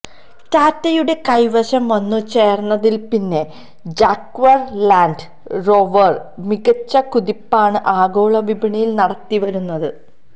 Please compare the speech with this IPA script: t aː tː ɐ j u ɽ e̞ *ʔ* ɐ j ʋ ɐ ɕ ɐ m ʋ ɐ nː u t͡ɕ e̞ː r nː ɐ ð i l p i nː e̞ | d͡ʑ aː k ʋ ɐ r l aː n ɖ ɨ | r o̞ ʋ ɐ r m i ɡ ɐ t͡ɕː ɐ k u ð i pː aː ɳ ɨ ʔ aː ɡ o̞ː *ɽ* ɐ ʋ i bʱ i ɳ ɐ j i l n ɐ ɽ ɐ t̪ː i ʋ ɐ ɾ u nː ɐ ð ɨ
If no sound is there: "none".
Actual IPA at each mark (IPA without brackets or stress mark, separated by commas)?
k, ɭ